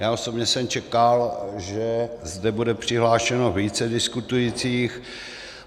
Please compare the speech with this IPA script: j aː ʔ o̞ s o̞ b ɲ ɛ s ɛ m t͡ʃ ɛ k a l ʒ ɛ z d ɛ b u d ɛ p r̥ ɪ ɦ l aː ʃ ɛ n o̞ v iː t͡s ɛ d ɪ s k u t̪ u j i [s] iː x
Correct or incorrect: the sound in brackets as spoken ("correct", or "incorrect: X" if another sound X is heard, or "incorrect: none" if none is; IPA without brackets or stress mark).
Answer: incorrect: t͡s